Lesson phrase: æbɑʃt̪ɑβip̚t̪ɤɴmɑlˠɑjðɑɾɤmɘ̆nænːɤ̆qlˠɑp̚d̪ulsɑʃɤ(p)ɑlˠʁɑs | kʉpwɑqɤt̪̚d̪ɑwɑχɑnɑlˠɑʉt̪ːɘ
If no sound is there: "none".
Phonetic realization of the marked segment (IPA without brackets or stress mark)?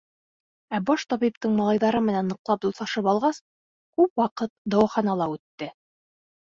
p